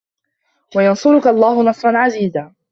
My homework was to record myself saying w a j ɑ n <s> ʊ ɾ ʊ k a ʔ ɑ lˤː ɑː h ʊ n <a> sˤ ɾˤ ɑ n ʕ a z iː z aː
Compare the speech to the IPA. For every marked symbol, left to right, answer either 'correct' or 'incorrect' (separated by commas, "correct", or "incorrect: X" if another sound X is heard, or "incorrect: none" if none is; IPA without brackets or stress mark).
correct, incorrect: ɑ